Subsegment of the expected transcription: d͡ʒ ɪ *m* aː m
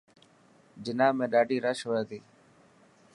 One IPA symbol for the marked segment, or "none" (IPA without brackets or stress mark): n